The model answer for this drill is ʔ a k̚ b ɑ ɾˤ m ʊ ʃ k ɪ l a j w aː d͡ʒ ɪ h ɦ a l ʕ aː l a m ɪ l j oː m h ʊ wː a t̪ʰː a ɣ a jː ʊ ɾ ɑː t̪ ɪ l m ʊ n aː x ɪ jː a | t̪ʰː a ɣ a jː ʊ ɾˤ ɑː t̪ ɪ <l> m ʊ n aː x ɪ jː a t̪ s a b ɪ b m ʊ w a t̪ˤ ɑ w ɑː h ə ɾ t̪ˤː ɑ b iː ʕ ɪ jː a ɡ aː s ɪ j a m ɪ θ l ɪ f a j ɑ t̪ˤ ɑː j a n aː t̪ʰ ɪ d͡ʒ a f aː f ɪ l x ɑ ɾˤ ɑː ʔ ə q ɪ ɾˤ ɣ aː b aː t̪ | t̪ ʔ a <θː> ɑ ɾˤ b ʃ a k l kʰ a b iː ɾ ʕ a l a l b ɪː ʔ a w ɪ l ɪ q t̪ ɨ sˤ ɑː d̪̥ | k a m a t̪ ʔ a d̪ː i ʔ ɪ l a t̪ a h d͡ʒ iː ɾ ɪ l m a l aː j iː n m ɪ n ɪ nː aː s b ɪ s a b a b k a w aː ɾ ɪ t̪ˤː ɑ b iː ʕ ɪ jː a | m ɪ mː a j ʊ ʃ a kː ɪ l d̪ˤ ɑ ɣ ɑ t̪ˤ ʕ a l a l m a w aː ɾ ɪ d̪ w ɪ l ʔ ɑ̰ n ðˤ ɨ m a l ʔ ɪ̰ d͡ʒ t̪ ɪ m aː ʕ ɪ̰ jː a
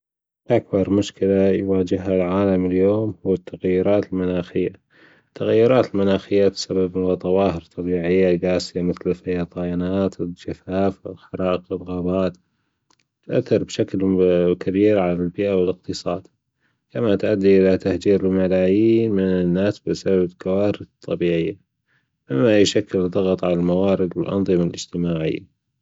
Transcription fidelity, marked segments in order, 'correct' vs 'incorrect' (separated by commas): correct, correct